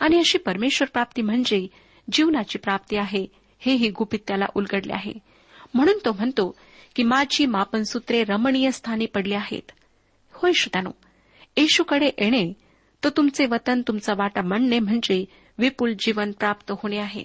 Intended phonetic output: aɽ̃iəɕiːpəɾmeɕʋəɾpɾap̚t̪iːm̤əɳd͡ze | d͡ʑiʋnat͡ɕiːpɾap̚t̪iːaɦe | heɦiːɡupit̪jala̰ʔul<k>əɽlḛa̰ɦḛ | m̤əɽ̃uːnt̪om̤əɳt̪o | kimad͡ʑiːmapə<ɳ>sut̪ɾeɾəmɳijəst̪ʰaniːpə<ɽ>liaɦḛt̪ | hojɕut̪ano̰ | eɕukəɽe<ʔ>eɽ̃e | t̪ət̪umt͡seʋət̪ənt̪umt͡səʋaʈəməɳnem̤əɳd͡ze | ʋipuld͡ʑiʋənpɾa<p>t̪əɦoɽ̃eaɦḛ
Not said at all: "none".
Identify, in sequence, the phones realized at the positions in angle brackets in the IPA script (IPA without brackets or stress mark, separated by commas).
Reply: ɡ, n, ɽ, ʔ, p